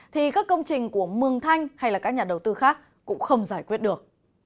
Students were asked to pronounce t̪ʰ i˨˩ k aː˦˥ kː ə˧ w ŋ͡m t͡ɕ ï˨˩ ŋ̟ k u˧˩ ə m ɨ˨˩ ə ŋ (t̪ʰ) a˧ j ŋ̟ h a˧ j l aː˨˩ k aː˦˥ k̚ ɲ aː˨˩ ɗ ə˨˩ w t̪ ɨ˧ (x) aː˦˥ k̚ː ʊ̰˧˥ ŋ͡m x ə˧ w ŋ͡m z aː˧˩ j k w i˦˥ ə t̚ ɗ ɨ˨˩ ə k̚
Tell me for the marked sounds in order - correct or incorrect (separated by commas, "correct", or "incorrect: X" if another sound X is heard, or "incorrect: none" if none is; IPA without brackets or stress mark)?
correct, correct